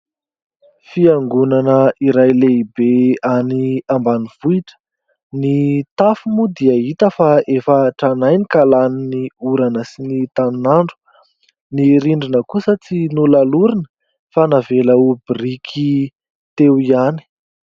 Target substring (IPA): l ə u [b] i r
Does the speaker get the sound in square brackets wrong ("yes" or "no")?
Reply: no